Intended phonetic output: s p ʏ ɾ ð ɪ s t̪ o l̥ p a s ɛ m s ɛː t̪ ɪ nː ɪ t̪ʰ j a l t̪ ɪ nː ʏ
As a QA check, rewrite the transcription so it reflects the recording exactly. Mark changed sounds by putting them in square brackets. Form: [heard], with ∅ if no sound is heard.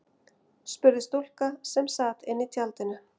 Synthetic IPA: s p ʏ ɾ ð ɪ s t̪ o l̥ [k] a s ɛ m s [aː] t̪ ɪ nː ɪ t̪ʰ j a l t̪ ɪ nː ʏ